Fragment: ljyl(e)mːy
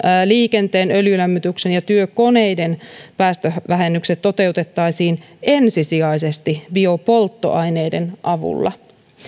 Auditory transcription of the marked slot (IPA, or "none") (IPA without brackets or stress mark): æ